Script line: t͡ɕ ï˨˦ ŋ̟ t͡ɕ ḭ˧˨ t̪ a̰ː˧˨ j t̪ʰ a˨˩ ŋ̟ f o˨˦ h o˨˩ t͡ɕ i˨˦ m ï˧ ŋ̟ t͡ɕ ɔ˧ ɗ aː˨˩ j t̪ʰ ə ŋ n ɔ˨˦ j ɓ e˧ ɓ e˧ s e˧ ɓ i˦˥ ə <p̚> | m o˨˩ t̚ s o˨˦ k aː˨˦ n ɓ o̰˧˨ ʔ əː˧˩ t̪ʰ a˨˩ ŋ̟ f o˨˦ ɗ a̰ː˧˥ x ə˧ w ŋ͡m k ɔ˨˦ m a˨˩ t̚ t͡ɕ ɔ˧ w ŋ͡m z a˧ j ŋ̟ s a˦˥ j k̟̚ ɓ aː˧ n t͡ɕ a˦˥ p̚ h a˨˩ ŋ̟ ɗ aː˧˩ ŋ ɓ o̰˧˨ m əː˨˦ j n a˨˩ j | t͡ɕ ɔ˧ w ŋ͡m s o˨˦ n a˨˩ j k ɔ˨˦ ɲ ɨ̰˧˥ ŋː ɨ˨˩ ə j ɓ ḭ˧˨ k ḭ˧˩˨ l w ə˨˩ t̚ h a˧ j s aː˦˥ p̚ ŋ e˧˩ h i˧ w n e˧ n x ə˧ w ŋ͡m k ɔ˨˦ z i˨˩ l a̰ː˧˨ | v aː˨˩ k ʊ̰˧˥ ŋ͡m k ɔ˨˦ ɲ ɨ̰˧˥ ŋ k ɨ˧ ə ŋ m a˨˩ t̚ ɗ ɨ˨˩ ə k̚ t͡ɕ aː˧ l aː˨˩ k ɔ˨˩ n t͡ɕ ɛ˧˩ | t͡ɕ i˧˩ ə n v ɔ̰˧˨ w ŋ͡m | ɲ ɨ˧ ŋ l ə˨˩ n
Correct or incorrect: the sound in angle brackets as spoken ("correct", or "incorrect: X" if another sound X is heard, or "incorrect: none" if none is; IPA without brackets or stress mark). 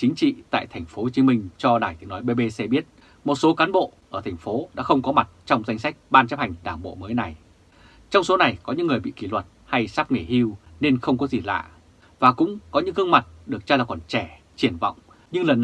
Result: incorrect: t̚